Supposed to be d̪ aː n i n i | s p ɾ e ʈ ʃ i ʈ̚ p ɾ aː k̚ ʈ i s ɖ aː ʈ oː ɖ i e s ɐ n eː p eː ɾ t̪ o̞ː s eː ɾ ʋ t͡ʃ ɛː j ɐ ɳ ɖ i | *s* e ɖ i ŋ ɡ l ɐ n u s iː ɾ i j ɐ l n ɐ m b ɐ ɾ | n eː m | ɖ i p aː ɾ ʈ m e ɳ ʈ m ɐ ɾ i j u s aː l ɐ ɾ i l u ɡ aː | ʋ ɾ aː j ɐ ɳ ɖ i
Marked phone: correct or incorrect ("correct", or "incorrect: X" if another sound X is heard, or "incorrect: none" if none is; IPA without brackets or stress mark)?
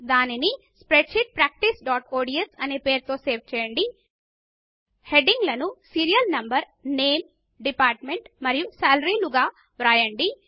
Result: incorrect: h